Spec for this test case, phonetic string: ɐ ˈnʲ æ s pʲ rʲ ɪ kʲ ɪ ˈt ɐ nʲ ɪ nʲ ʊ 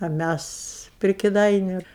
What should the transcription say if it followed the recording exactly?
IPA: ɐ ˈmʲ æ s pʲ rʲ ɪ kʲ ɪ ˈd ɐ ɪ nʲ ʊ